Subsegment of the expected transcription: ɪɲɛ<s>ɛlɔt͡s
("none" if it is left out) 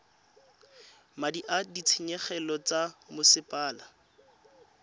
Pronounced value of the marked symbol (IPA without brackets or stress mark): χ